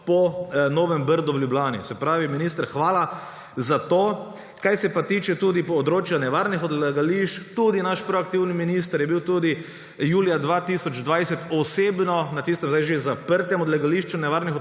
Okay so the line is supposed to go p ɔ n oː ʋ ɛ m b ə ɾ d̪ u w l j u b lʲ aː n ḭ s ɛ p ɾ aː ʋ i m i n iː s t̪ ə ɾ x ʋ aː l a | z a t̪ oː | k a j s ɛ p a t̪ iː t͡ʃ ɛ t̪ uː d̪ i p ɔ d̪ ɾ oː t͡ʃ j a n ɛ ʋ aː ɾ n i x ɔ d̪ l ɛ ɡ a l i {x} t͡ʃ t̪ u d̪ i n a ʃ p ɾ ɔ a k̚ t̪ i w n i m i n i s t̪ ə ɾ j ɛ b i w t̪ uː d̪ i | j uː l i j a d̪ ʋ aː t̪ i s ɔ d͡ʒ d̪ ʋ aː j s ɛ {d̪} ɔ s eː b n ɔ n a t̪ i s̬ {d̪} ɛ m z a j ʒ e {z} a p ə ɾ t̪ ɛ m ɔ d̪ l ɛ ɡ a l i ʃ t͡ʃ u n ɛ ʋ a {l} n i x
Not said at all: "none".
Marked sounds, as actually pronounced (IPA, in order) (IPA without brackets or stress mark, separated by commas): ʃ, t̪, t̪, z, ɾ